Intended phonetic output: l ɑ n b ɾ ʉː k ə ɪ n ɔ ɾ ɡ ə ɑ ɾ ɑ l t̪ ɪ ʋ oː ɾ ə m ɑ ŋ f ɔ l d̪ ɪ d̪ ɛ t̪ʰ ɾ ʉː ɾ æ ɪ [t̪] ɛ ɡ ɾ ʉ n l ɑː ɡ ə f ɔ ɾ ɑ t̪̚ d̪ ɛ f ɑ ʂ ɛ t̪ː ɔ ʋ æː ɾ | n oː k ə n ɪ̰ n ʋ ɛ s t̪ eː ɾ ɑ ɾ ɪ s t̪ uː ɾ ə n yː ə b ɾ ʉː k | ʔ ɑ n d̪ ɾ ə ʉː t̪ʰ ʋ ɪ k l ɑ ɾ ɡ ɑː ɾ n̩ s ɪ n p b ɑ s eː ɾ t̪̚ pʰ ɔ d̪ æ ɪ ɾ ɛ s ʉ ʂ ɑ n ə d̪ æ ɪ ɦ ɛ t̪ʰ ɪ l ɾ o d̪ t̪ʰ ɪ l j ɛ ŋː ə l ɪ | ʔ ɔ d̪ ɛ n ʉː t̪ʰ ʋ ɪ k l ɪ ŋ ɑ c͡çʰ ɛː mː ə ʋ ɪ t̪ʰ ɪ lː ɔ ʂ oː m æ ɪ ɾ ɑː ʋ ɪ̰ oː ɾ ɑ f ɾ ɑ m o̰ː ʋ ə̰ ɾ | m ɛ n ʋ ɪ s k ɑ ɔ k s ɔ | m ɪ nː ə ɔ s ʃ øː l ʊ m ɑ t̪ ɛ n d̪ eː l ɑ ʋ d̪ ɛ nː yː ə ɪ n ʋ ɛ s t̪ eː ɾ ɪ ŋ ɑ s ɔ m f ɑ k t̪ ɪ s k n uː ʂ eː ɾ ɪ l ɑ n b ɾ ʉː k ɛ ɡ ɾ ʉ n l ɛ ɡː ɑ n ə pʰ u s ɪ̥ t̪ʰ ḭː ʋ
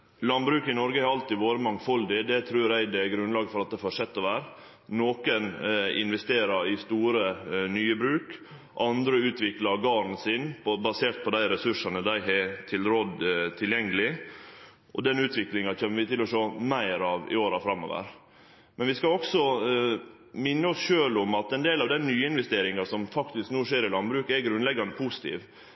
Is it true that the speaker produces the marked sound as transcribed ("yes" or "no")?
no